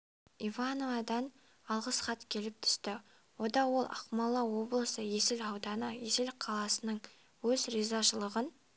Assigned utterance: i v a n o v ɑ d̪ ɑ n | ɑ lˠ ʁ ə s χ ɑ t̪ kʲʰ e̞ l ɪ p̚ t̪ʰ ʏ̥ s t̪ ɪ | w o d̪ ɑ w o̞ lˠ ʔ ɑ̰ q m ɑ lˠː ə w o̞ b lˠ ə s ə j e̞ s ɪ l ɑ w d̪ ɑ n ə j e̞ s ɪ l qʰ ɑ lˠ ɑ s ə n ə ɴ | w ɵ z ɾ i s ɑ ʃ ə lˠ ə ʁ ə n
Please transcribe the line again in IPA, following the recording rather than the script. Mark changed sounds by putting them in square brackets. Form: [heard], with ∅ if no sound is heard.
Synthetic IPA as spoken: i v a n o v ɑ d̪ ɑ n | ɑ lˠ ʁ ə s χ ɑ t̪ kʲʰ e̞ l ɪ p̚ t̪ʰ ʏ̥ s t̪ ɪ | w o d̪ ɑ w o̞ lˠ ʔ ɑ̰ q m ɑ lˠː [ɑ] w o̞ b lˠ ə s ə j e̞ s ɪ l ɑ w d̪ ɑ n ə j e̞ s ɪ l qʰ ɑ lˠ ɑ s ə n ə ɴ | w ɵ z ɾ i [z] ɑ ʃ ə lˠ ə ʁ ə n